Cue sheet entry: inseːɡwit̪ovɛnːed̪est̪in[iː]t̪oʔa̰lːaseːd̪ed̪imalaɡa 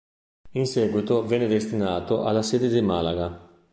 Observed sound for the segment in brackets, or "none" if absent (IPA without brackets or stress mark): aː